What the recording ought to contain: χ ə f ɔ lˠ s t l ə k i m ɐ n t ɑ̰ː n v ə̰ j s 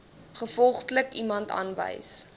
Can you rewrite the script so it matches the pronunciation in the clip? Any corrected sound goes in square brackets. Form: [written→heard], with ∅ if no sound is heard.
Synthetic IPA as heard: χ ə f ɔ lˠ [s→χ] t l ə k i m ɐ n t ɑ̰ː n v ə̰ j s